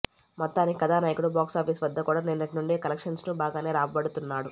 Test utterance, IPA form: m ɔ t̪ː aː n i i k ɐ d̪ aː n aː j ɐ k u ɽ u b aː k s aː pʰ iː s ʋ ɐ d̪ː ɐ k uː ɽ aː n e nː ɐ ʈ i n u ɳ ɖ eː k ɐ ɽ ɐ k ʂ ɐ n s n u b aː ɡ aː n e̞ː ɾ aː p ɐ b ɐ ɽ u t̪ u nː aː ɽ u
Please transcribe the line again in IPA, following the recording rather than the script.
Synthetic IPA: m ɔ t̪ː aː n i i k ɐ d̪ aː n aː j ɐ k u ɽ u b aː k s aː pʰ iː s ʋ ɐ d̪ː ɐ k uː ɽ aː n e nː ɐ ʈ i n u ɳ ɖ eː k ɐ l ɐ k ʂ ɐ n s n u b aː ɡ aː n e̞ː ɾ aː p ɐ b ɐ ɽ u t̪ u nː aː ɽ u